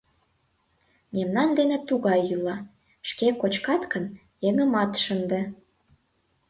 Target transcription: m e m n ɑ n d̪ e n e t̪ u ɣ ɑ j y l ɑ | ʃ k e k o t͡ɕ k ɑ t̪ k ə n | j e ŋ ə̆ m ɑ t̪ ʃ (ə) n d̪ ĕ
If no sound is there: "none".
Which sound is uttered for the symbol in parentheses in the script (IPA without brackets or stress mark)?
ə